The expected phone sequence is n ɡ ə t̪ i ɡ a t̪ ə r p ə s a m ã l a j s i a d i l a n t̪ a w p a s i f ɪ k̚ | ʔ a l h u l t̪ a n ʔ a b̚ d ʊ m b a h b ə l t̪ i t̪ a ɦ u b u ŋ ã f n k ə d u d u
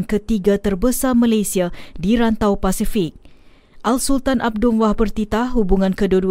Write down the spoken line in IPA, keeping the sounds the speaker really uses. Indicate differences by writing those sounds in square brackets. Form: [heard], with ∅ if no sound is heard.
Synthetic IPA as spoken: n [k] ə t̪ i ɡ a t̪ ə r [b] ə s a m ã l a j s i a d i [ɾ] a n t̪ a w p a s i f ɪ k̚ | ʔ a l [s] u l t̪ a n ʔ a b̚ d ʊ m [w] a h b ə [r] t̪ i t̪ a ɦ u b u ŋ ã [∅] n k ə d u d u